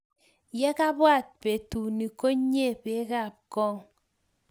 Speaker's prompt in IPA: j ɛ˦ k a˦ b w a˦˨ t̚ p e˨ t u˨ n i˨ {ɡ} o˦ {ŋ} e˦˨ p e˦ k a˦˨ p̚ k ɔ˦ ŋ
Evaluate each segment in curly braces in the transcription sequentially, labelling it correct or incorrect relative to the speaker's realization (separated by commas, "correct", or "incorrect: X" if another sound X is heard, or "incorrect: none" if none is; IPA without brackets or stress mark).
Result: incorrect: k, incorrect: ɲ